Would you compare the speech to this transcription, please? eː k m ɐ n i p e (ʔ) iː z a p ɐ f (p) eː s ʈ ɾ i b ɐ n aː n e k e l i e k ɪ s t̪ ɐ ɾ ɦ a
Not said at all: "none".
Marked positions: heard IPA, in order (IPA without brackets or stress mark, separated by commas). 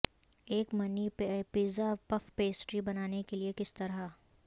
p, p